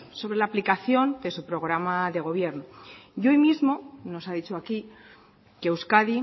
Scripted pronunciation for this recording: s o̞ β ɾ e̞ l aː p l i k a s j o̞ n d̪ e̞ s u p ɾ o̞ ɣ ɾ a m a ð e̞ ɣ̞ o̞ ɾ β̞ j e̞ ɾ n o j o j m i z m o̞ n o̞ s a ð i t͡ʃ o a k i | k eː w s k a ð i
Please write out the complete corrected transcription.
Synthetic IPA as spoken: s o̞ β ɾ e̞ l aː p l i k a θ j o̞ n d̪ e̞ s u p ɾ o̞ ɣ ɾ a m a ð e̞ ɣ̞ o̞ β̞ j e̞ ɾ n o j o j m i z m o̞ n o̞ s a ð i t͡ʃ o a k i | k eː w s k a ð i